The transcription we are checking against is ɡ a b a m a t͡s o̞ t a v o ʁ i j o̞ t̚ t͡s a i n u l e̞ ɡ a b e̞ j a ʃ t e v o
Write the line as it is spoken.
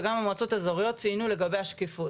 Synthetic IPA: ɡ a m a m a t͡s o̞ t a z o ʁ i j o̞ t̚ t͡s i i n u l e̞ ɡ a b e̞ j a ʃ k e f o